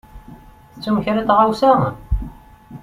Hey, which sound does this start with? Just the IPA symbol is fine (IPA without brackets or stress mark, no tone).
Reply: θ